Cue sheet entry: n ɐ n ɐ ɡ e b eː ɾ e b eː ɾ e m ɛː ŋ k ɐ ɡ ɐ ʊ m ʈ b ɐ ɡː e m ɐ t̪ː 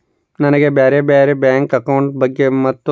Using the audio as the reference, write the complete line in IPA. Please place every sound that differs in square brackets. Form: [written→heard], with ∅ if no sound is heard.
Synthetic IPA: n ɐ n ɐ ɡ e b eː ɾ e b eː ɾ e [m→b] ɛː ŋ k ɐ [ɡ→k] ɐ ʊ [m→ɳ] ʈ b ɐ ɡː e m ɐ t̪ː